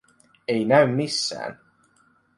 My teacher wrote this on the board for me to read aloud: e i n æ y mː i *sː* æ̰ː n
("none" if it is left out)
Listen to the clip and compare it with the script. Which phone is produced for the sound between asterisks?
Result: sː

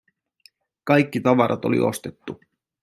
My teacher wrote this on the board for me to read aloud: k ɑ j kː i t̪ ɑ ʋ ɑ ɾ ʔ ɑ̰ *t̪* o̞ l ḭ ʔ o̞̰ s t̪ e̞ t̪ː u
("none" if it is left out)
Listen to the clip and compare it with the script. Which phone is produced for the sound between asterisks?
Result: t̪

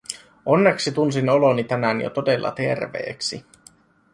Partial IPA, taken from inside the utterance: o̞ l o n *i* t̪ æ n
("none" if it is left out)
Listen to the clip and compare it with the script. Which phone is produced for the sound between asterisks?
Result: i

